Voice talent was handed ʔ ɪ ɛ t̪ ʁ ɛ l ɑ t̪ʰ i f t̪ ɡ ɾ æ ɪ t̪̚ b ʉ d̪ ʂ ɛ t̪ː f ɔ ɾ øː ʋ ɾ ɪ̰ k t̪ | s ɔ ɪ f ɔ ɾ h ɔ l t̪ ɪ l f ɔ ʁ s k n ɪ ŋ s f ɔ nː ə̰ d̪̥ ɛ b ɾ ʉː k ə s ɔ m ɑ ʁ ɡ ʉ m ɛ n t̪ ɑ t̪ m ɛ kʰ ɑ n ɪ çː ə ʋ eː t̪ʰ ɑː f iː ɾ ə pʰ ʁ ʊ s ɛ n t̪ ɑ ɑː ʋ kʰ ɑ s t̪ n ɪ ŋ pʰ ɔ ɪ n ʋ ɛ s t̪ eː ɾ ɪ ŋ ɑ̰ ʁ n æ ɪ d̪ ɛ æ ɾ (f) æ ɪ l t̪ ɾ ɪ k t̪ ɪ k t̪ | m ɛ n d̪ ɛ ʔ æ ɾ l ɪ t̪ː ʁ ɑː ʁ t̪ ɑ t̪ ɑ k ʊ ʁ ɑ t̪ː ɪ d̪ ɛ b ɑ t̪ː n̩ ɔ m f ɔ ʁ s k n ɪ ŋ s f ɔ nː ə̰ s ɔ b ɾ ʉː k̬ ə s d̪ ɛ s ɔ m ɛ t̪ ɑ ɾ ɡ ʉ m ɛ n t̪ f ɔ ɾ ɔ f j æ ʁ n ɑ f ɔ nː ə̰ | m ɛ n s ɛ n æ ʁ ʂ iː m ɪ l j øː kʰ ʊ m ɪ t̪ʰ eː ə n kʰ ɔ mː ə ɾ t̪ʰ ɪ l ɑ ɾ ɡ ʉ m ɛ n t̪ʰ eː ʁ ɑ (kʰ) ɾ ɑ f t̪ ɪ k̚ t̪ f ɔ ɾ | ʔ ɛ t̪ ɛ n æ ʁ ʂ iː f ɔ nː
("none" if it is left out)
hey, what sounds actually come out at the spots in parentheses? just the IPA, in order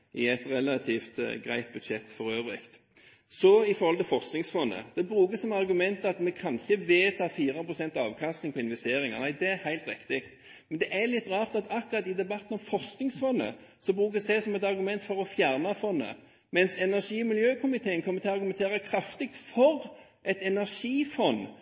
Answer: h, kʰ

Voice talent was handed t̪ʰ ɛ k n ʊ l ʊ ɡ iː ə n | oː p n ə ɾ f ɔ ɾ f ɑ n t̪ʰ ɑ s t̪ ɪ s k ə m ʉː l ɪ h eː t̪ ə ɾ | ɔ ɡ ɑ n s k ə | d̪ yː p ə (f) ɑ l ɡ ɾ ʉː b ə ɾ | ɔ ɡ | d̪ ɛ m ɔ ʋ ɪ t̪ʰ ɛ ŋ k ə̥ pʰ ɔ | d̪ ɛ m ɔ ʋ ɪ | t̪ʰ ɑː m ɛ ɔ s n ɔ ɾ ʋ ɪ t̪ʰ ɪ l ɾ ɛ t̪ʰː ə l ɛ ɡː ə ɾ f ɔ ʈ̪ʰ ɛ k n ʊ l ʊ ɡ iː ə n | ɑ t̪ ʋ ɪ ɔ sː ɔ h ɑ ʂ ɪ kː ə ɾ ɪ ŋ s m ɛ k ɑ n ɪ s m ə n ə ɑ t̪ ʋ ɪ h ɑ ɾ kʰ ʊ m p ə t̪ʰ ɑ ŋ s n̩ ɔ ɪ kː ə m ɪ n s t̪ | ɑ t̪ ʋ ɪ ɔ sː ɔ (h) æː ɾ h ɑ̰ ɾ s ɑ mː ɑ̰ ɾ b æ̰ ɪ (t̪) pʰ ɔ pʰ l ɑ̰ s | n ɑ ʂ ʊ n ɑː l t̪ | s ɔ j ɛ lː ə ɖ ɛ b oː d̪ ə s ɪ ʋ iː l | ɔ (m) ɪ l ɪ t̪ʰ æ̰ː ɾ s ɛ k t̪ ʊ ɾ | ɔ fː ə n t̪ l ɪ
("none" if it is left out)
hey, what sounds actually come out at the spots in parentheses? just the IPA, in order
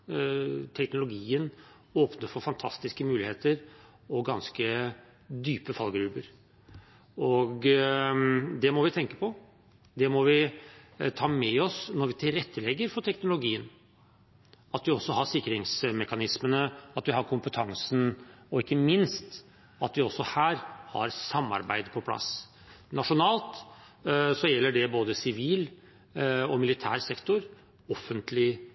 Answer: f, h, d̪, m

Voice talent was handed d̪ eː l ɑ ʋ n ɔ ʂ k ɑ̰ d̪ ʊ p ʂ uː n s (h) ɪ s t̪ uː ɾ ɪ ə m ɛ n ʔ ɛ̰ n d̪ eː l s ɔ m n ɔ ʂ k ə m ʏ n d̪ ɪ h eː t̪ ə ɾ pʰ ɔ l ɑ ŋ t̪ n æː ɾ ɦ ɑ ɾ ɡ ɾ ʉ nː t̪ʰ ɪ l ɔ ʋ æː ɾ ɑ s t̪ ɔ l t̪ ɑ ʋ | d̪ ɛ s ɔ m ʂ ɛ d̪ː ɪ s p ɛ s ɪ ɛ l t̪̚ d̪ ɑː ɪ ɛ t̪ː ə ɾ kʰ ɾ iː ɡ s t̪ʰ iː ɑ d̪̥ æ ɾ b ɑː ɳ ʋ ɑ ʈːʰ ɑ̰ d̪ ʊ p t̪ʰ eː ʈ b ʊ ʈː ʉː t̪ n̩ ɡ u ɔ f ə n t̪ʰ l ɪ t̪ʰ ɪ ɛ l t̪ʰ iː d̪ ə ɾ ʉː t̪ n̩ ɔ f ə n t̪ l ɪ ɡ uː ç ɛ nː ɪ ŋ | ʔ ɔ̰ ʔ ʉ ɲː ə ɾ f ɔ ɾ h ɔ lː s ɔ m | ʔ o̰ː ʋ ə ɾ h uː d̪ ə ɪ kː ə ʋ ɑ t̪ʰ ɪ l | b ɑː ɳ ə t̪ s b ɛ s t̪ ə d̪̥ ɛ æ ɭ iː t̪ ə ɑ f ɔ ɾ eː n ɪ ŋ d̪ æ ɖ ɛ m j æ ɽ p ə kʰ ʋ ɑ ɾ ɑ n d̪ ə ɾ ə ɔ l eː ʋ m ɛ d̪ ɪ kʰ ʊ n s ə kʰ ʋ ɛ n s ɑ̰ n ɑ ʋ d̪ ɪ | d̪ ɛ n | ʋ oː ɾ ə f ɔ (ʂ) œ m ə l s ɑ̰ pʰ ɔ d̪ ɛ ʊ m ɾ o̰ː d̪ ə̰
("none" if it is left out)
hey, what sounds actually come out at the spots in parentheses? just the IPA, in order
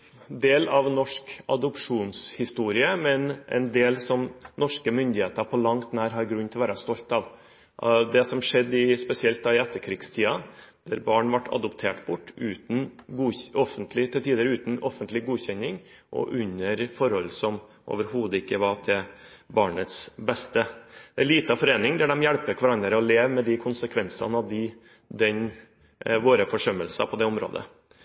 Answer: h, ʂ

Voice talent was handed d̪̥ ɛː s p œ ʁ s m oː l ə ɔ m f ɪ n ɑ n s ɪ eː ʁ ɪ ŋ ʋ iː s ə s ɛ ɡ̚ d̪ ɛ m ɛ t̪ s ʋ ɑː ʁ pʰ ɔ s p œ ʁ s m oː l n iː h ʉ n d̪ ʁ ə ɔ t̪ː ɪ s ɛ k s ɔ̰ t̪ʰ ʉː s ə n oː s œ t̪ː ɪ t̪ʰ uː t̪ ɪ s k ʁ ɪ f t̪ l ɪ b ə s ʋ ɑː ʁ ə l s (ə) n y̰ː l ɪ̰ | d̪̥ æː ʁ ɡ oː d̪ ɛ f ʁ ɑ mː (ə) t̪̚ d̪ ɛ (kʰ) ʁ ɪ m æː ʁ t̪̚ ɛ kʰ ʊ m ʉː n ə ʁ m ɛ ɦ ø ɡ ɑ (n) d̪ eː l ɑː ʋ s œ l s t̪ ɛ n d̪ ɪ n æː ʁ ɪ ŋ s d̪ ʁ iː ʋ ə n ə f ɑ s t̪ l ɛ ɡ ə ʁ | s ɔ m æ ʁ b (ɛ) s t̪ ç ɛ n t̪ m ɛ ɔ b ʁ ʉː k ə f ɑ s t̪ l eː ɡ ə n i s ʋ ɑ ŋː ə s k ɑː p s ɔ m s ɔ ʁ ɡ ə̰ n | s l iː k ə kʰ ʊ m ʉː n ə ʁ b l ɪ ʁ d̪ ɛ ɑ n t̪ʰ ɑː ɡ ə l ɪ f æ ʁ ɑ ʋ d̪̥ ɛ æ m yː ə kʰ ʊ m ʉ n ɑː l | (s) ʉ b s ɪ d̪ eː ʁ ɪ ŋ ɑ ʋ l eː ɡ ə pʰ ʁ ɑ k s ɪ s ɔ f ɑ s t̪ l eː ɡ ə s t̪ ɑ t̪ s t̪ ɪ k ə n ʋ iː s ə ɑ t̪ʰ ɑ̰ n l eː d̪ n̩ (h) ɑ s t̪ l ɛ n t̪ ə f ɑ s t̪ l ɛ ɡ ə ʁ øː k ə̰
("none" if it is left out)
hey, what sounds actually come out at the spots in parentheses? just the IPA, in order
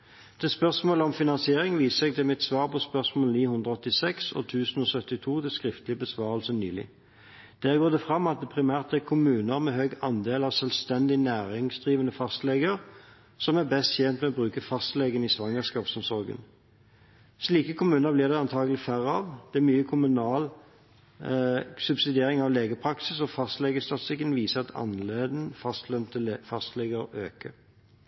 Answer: ə, ɑ, pʰ, n, ɛ, s, f

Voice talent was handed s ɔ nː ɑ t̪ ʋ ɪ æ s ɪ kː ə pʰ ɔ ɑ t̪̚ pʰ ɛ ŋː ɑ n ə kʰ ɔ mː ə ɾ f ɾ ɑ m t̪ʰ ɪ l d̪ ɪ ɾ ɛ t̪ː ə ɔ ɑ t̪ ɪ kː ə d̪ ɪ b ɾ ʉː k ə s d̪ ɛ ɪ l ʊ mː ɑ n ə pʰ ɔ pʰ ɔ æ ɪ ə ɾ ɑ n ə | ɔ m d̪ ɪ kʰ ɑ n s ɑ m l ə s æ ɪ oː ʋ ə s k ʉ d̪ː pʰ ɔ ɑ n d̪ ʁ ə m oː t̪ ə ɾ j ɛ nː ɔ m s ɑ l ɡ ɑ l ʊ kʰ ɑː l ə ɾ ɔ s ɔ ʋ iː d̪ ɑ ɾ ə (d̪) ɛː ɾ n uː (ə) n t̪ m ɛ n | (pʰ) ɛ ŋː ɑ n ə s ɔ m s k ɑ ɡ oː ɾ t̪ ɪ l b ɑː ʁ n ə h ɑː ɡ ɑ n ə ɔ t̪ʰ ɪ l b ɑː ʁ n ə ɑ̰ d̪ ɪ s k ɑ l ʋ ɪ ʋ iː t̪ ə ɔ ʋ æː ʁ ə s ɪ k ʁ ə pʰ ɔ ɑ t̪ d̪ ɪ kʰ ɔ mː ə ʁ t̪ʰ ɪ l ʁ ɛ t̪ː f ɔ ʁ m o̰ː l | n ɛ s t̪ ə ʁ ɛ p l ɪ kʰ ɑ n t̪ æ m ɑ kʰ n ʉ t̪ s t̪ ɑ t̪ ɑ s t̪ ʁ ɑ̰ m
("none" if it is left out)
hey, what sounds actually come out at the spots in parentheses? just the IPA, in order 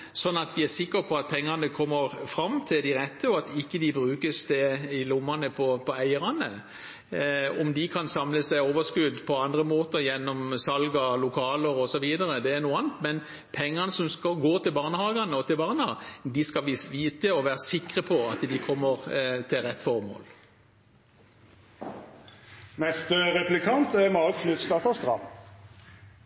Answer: d̪, ɑ, pʰ

